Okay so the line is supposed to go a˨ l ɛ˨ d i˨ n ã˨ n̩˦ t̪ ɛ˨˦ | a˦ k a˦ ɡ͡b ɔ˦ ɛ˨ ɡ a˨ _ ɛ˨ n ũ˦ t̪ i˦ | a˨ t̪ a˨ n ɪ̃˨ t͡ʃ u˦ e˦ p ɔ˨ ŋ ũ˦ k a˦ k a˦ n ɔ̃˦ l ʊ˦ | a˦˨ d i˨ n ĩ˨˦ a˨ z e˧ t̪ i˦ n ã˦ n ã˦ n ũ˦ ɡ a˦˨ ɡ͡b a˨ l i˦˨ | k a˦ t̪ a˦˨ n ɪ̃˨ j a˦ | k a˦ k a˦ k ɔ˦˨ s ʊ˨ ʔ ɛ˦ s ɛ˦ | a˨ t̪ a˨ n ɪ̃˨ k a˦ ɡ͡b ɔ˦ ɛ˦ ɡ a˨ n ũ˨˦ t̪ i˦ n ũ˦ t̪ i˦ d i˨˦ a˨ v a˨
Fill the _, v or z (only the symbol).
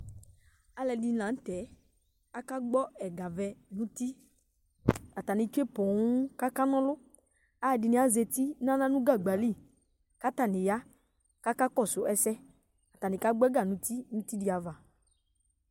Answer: v